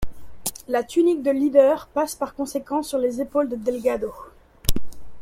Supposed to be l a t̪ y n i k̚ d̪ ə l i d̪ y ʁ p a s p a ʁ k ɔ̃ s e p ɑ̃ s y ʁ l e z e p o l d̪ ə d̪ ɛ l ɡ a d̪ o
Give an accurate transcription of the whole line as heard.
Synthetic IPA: l a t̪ y n i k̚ d̪ ə l i d̪ œ ʁ p a s p a ʁ k ɔ̃ s e k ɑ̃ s y ʁ l e z e p o l d̪ ə d̪ ɛ l ɡ a d̪ o

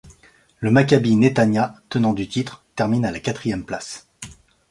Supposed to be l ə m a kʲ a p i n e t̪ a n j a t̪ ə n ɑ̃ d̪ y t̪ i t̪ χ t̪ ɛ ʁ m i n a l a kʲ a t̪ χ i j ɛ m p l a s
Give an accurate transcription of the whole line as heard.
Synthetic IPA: l ə m a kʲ a b i n e t̪ a n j a t̪ ə n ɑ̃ d̪ y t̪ i t̪ χ t̪ ɛ ʁ m i n a l a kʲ a t̪ χ i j ɛ m p l a s

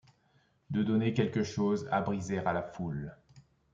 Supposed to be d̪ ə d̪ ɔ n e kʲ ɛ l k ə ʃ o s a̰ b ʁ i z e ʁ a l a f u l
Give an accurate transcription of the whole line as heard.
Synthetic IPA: d̪ ə d̪ ɔ n e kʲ ɛ l k ə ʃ o z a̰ b ʁ i z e ʁ a l a f u l

